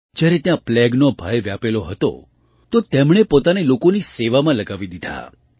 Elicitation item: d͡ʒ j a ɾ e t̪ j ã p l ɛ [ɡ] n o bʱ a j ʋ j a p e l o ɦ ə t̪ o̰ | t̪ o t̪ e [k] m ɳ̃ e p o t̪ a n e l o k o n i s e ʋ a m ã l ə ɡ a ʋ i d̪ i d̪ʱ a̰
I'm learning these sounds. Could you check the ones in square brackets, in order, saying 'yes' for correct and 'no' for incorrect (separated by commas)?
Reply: yes, no